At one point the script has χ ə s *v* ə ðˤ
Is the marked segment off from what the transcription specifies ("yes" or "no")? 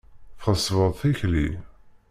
no